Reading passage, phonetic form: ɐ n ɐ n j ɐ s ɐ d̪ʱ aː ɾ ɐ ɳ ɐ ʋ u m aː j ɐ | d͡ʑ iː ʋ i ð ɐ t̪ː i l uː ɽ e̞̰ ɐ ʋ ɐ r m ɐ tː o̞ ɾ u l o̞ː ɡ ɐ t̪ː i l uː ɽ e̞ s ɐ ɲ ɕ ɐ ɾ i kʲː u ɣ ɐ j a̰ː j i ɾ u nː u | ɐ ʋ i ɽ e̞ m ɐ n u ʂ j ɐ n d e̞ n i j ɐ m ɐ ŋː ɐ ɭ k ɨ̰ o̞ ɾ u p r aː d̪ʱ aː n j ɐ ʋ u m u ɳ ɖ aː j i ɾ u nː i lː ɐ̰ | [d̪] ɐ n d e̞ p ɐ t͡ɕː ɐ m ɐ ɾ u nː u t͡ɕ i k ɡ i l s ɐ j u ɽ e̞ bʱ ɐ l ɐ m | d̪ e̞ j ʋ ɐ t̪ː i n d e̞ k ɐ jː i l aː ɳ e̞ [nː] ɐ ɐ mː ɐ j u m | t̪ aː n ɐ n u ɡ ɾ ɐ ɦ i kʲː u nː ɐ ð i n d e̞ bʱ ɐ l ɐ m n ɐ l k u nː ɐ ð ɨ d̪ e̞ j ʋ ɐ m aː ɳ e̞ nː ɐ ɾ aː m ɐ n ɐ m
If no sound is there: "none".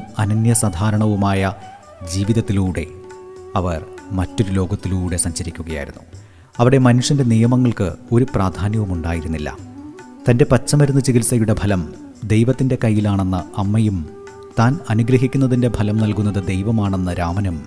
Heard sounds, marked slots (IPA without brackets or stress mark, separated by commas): t̪, nː